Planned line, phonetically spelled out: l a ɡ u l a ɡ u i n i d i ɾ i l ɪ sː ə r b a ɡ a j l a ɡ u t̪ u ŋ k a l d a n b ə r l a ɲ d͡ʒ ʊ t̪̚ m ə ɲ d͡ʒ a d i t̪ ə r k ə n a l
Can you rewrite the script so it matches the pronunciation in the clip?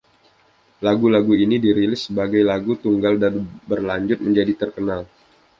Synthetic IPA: l a ɡ u l a ɡ u i n i d i ɾ i l ɪ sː ə b a ɡ a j l a ɡ u t̪ u ŋ ɡ a l d a n b ə r l a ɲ d͡ʒ ʊ t̪̚ m ə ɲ d͡ʒ a d i t̪ ə r k ə n a l